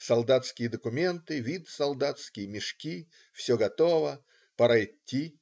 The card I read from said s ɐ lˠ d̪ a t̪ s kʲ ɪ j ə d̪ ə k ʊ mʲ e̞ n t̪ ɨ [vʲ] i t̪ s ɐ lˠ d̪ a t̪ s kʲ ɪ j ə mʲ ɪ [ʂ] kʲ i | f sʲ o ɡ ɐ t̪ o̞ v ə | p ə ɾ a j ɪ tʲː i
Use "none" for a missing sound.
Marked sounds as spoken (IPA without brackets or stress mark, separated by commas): vʲ, ʂ